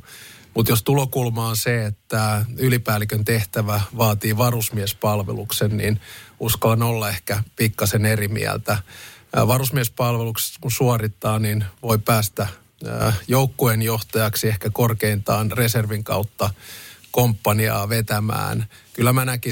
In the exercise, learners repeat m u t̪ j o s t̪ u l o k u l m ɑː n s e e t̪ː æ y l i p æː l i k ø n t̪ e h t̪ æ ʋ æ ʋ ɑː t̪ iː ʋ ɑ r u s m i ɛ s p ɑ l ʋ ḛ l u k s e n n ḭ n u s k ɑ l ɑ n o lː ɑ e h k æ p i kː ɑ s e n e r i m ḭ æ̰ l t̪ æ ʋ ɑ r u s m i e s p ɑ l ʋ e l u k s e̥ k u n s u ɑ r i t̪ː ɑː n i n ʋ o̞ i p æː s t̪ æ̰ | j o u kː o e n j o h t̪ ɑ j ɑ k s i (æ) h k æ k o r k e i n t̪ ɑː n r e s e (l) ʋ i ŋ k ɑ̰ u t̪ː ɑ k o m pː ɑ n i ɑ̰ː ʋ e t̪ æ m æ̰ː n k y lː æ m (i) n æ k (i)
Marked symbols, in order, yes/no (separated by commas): no, no, no, yes